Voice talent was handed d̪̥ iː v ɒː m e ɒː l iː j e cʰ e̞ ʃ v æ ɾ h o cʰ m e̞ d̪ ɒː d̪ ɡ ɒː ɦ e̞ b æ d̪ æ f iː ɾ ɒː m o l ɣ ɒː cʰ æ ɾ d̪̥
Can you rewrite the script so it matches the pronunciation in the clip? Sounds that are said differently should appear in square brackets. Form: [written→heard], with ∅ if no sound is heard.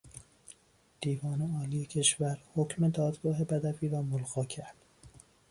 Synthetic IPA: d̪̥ iː v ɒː [m→n] e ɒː l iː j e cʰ e̞ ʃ v æ ɾ h o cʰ m e̞ d̪ ɒː d̪ ɡ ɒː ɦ e̞ b æ d̪ æ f iː ɾ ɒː m o l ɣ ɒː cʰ æ ɾ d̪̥